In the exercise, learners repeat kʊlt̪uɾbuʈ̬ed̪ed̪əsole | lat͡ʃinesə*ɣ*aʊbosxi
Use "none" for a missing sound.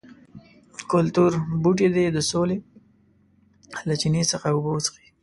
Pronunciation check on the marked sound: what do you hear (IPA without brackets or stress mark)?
x